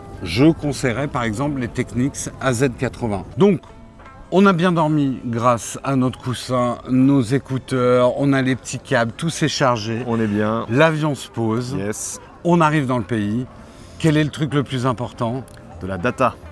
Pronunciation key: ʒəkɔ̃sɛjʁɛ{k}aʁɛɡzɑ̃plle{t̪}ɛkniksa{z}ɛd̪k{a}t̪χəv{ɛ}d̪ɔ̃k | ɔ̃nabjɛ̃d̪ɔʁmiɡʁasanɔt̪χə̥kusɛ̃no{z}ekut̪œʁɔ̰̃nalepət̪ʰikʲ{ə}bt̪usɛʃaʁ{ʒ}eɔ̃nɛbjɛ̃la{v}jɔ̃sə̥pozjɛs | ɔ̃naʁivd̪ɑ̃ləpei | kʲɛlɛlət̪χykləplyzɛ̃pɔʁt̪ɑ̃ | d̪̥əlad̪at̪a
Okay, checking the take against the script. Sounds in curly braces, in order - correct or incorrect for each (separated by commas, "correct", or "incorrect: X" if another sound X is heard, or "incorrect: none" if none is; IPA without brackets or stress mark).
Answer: incorrect: p, correct, correct, correct, incorrect: ɛ̃, correct, incorrect: a, correct, correct